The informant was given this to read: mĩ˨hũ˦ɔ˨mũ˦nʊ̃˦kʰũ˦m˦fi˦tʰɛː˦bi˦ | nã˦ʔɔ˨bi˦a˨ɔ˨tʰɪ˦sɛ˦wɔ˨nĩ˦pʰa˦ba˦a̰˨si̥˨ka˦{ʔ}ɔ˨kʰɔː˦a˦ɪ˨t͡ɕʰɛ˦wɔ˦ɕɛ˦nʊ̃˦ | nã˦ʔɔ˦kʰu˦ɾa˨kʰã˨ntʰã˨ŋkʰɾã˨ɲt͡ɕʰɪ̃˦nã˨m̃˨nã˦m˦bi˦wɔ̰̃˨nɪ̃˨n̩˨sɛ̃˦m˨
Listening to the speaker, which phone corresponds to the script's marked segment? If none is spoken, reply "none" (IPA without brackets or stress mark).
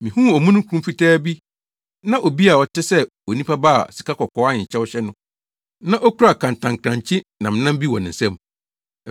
k